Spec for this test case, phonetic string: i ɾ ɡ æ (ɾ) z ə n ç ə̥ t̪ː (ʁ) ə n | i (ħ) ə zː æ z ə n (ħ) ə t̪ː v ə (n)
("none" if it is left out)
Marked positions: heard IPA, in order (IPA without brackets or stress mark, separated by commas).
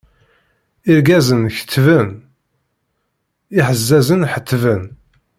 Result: none, v, ħ, ħ, n